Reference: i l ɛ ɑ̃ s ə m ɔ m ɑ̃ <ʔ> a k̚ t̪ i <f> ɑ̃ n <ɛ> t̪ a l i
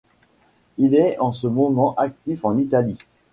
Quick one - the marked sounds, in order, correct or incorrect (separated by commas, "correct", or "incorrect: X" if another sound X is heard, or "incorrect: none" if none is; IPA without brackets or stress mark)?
correct, correct, incorrect: i